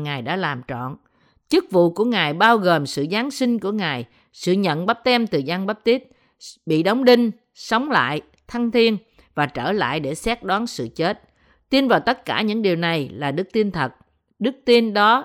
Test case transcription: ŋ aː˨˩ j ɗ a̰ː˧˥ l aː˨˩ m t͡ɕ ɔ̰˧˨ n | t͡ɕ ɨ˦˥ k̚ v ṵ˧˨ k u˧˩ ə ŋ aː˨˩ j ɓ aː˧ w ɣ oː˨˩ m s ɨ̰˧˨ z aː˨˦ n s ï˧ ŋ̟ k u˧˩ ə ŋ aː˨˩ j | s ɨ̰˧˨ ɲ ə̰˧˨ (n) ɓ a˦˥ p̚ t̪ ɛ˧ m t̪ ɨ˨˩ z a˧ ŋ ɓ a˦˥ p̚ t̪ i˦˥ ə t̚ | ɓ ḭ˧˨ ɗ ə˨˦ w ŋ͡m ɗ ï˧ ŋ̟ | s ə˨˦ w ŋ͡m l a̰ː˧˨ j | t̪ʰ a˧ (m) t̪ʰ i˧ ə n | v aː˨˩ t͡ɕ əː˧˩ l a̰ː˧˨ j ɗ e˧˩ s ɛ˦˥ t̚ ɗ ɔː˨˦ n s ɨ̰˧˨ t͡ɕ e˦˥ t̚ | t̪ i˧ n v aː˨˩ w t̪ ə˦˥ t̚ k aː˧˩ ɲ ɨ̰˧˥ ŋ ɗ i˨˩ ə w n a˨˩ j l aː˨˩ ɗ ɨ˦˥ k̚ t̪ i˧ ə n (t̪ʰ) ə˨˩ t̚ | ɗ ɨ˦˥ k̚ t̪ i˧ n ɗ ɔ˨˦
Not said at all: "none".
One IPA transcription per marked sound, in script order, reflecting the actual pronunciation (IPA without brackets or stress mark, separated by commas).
n, ŋ, t̪ʰ